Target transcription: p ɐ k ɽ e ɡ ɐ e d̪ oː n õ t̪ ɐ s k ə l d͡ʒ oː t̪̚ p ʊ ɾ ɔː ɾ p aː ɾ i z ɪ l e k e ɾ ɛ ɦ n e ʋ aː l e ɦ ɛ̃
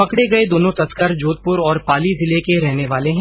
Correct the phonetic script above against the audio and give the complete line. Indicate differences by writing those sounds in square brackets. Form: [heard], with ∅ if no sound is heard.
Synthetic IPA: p ɐ k ɽ e ɡ ɐ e d̪ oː n õ t̪ ɐ s k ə [ɾ] d͡ʒ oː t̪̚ p ʊ ɾ ɔː ɾ p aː [l] i z ɪ l e k e ɾ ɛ ɦ n e ʋ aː l e ɦ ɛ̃